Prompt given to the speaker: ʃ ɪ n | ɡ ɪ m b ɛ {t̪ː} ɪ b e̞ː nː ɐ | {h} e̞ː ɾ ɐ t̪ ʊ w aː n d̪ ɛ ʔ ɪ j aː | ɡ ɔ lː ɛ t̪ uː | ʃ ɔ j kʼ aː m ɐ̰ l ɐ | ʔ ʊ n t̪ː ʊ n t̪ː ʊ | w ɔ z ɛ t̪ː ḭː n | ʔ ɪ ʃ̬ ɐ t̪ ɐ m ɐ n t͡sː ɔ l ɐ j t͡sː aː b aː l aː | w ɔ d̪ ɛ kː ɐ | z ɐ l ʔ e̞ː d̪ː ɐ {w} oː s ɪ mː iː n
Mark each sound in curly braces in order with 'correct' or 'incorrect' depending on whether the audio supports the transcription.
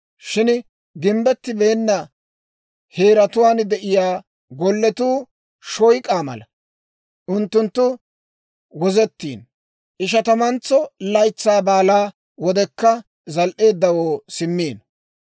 correct, correct, correct

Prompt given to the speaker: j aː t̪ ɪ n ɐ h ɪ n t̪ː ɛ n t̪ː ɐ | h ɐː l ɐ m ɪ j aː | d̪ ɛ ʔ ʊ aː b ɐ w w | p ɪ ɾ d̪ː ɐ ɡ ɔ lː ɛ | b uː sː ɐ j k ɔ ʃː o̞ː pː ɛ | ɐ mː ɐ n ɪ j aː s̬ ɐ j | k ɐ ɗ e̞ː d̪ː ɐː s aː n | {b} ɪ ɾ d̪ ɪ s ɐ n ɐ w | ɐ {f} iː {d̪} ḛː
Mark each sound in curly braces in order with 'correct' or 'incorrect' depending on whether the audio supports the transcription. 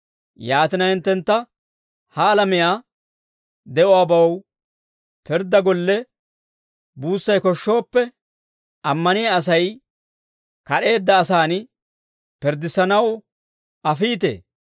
incorrect: p, correct, incorrect: t̪

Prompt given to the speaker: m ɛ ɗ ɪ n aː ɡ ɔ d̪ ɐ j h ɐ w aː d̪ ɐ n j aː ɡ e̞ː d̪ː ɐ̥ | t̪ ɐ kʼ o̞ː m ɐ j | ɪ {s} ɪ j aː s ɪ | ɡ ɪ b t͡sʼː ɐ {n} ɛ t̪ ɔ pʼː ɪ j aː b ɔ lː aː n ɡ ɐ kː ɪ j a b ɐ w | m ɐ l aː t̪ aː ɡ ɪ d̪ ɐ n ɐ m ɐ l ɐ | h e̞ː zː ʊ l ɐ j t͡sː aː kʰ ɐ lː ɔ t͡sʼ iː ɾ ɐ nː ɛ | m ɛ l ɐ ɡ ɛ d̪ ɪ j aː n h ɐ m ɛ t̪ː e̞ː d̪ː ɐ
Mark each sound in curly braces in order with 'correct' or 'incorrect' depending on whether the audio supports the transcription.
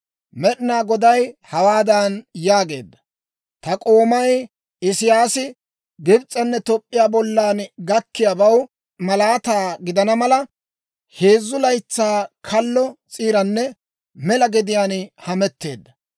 correct, incorrect: nː

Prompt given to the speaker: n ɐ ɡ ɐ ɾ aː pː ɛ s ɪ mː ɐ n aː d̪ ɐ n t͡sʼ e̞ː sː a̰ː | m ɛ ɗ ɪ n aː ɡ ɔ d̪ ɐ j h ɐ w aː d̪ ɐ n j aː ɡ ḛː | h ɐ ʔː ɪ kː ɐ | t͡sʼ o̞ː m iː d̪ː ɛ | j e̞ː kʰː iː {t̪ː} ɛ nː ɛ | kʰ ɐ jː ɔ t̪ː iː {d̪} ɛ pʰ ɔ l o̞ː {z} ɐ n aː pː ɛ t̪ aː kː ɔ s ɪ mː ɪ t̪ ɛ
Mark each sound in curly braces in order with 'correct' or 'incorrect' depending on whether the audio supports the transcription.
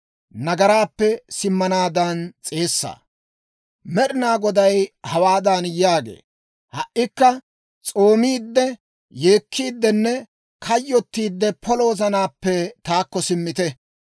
incorrect: d̪ː, incorrect: d̪ː, correct

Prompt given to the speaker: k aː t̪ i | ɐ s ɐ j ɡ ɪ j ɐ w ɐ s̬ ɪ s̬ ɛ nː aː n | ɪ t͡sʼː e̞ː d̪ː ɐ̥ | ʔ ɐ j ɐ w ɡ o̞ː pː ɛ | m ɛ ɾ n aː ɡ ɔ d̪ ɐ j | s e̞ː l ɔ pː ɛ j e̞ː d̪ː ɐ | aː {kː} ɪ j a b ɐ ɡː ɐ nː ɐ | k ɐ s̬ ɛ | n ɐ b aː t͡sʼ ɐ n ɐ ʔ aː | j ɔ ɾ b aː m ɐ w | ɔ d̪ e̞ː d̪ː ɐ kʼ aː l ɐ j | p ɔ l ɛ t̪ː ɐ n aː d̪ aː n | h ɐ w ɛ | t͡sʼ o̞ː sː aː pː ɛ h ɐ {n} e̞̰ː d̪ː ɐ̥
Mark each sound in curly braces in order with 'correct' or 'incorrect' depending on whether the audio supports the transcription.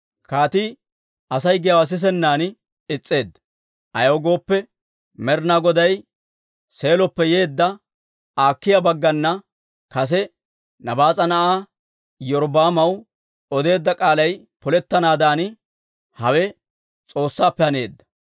correct, correct

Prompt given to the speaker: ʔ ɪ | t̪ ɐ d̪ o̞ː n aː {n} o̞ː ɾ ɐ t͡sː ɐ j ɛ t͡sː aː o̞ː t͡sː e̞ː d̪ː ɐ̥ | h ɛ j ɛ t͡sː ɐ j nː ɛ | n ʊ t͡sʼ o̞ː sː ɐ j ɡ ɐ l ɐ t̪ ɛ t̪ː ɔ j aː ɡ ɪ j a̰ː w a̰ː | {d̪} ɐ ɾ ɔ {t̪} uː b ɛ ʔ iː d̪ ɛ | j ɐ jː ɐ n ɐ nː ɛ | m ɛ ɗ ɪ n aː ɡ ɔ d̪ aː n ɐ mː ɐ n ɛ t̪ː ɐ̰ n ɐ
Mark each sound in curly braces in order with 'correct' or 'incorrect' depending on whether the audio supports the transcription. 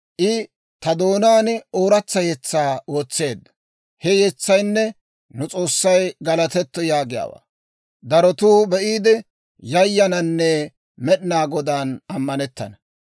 correct, correct, correct

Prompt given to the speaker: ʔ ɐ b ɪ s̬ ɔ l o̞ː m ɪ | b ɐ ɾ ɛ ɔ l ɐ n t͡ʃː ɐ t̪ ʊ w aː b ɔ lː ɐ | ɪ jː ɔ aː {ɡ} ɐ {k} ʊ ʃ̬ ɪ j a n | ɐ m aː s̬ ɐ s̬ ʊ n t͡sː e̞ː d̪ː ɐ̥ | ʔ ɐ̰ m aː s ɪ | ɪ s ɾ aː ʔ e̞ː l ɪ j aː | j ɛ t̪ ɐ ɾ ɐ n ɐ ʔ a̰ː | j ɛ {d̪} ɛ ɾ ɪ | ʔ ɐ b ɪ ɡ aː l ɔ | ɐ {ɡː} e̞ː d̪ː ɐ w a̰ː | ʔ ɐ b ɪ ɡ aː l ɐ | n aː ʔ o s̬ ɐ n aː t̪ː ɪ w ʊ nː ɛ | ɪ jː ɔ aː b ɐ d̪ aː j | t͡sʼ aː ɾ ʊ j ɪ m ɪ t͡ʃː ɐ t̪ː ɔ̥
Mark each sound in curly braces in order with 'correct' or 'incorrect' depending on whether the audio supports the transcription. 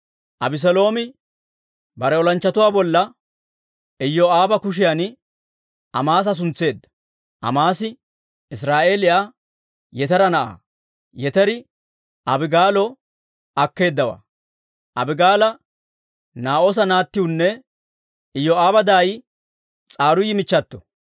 incorrect: b, correct, incorrect: t̪, incorrect: kː

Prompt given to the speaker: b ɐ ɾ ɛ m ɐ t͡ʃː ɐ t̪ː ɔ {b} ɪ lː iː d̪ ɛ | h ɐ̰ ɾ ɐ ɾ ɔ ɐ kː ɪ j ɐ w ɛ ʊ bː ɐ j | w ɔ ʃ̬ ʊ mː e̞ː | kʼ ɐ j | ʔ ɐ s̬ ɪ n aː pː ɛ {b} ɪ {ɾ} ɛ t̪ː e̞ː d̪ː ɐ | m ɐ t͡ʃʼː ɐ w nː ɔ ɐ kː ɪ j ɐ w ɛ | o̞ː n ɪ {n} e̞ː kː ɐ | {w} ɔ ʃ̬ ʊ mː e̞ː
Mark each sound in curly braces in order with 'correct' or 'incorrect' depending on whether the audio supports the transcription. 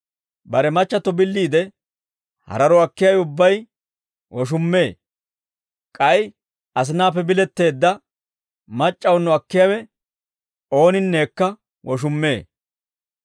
correct, correct, incorrect: l, incorrect: nː, correct

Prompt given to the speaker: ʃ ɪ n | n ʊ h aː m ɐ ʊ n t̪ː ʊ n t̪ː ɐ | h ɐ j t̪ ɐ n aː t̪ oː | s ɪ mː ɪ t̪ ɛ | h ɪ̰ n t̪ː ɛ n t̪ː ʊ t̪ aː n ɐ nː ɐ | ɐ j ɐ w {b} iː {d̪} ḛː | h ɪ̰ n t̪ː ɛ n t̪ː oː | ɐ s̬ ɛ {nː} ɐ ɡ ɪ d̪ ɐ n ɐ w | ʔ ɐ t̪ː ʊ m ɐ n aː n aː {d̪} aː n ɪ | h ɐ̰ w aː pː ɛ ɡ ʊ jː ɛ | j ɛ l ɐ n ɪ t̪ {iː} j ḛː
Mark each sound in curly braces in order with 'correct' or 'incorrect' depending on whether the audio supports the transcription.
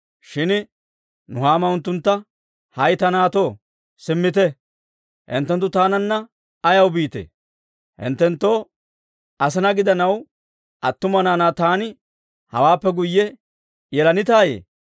correct, incorrect: t̪, incorrect: n, incorrect: t̪, incorrect: aː

